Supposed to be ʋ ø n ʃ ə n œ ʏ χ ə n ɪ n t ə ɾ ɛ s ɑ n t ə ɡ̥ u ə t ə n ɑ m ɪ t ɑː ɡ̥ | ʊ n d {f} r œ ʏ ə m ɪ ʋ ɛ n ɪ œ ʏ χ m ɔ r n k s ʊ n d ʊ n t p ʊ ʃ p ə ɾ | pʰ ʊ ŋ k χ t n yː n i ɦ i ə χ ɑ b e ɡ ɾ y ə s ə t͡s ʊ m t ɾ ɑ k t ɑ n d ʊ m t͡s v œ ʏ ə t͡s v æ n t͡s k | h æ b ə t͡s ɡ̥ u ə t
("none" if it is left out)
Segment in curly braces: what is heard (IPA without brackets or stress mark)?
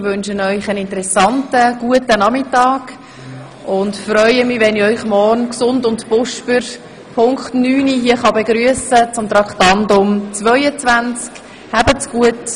f